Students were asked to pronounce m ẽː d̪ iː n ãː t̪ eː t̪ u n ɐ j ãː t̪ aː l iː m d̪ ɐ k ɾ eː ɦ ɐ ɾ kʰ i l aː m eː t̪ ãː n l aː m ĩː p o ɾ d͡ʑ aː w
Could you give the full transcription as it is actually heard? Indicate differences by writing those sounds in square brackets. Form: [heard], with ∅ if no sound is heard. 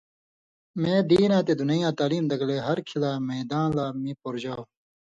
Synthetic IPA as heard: m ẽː d̪ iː n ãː t̪ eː [d̪] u n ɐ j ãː t̪ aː l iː m d̪ ɐ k [l] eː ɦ ɐ ɾ kʰ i l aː m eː [d̪] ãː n l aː m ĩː p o ɾ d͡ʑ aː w